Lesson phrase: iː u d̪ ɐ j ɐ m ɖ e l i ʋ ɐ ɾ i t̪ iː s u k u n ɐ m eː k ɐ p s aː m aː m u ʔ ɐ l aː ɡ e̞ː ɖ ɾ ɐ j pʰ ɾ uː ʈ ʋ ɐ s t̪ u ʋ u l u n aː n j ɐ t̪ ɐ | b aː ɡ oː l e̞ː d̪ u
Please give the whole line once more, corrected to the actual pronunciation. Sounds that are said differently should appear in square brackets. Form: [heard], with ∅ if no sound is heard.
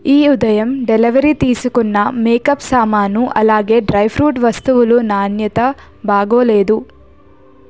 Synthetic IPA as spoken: iː u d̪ ɐ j ɐ m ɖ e l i ʋ ɐ ɾ i t̪ iː s u k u [nː] ɐ m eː k ɐ p s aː m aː [n] u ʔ ɐ l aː ɡ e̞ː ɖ ɾ ɐ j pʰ ɾ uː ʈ ʋ ɐ s t̪ u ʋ u l u n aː n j ɐ t̪ ɐ | b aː ɡ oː l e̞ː d̪ u

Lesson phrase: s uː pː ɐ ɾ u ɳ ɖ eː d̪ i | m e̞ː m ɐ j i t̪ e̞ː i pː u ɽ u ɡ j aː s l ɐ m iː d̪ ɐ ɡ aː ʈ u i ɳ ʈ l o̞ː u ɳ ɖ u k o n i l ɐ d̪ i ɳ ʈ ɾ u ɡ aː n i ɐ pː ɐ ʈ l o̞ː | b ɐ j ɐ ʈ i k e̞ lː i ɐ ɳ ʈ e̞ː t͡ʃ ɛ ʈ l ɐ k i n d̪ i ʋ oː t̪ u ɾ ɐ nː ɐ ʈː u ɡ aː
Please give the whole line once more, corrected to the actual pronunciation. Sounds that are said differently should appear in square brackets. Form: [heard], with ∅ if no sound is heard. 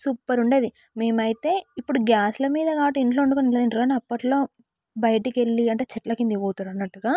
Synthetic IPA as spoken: s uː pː ɐ ɾ u ɳ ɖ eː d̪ i | m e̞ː m ɐ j i t̪ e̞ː i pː u ɽ u ɡ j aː s l ɐ m iː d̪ ɐ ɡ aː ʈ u i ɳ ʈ l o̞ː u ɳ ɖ u k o n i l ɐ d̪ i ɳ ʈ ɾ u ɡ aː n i ɐ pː ɐ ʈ l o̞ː | b ɐ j ɐ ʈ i k e̞ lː i ɐ ɳ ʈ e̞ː t͡ʃ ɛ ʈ l ɐ k i n d̪ i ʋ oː t̪ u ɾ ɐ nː ɐ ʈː u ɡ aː

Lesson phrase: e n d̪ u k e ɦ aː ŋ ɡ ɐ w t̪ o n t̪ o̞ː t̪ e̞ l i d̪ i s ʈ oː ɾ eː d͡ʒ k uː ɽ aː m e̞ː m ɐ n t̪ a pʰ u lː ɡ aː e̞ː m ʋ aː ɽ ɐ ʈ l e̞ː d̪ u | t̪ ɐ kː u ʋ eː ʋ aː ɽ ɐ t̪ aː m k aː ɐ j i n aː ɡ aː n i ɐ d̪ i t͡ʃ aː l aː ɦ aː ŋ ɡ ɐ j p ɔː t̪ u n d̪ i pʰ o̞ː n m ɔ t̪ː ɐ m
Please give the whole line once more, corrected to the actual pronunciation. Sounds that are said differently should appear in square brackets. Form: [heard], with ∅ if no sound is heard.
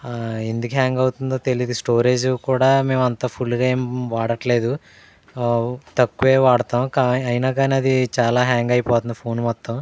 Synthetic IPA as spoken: e n d̪ u k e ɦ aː ŋ ɡ ɐ w t̪ [u] n [d̪] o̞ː t̪ e̞ l i d̪ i s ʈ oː ɾ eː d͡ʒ k uː ɽ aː m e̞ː m ɐ n t̪ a pʰ u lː ɡ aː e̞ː m ʋ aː ɽ ɐ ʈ l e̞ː d̪ u | t̪ ɐ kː u ʋ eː ʋ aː ɽ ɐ t̪ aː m k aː ɐ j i n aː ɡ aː n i ɐ d̪ i t͡ʃ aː l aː ɦ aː ŋ ɡ ɐ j p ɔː t̪ u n d̪ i pʰ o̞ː n m ɔ t̪ː ɐ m

